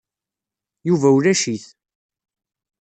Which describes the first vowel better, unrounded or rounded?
rounded